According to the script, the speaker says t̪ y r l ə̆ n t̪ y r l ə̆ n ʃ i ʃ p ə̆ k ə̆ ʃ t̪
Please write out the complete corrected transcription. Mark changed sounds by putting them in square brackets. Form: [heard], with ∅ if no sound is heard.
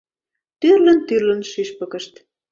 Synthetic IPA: t̪ y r l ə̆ n t̪ y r l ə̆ n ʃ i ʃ p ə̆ k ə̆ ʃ t̪